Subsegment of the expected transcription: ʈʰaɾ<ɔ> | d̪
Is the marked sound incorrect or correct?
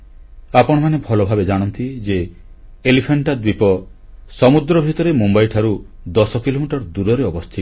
incorrect